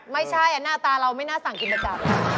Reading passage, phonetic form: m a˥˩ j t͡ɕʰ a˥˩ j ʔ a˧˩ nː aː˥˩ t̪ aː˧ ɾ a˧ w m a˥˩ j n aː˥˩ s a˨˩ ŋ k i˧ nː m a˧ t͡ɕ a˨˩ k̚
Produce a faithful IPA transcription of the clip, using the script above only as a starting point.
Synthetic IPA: m a˥˩ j t͡ɕʰ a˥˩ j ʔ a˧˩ n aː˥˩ t̪ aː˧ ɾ a˧ w m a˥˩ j n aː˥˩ s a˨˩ ŋ k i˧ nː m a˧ t͡ɕ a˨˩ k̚

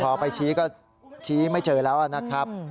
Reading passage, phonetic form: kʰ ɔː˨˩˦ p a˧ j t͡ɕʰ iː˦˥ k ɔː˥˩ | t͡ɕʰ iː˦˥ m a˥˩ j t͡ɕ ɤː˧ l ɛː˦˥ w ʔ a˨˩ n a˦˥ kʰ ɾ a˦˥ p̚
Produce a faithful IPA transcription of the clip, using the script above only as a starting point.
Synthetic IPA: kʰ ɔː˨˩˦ p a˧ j t͡ɕʰ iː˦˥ k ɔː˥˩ | t͡ɕʰ iː˦˥ m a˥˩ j t͡ɕ ɤː˧ l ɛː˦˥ w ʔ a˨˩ n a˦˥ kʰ ɾ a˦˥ p̚

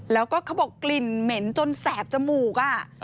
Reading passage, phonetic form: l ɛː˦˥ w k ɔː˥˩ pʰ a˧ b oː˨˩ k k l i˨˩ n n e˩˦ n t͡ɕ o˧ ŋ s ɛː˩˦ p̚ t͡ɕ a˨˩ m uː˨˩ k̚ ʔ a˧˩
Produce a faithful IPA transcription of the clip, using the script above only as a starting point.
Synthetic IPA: l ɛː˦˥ w k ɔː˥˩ kʰ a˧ b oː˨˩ k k l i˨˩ n m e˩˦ n t͡ɕ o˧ n s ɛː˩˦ p̚ t͡ɕ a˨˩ m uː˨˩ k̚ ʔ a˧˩

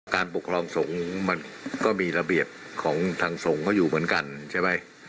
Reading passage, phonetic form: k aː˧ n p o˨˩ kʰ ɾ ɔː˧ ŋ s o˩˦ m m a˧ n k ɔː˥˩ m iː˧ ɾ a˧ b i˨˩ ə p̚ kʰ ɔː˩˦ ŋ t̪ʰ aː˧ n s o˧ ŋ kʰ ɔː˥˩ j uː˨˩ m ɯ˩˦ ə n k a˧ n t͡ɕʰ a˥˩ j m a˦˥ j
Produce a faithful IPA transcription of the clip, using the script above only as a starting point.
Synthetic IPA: k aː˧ n p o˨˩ kʰ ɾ ɔː˧ ŋ s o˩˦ ŋ m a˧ n k ɔː˥˩ m iː˧ ɾ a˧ b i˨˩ ə p̚ kʰ ɔː˩˦ ŋ t̪ʰ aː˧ ŋ s o˩˦ ŋ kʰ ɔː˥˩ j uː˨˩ m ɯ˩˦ ə n k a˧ n t͡ɕʰ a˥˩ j m a˦˥ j

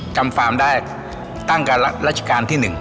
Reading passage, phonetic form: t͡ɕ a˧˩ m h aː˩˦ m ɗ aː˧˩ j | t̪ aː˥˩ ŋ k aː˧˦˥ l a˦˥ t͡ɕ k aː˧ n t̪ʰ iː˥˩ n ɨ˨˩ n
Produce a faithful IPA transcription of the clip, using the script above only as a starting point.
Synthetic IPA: t͡ɕ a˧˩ m f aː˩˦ m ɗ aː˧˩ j | t̪ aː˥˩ ŋ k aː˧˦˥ l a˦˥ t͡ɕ k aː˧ n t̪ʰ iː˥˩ n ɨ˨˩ ŋ

